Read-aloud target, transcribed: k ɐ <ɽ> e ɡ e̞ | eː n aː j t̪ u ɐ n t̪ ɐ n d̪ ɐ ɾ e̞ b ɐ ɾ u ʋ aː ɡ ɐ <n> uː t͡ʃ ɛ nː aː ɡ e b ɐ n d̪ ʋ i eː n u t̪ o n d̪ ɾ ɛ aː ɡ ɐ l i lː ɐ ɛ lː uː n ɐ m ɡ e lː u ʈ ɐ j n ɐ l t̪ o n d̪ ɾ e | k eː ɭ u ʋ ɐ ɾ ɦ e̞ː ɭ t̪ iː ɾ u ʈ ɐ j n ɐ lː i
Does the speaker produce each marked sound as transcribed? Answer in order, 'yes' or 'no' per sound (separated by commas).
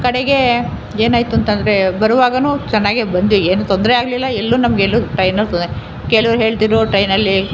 yes, yes